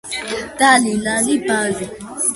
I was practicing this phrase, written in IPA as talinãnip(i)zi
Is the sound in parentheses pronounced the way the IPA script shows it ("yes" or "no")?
no